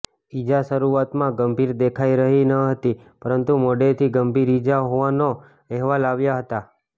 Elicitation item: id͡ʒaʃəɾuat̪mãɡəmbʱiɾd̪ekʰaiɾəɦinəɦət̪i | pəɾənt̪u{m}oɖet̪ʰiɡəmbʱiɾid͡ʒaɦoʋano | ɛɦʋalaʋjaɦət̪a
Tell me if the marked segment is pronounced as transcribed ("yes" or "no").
yes